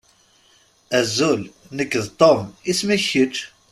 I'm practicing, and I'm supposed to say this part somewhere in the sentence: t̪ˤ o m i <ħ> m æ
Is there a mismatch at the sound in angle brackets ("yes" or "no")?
yes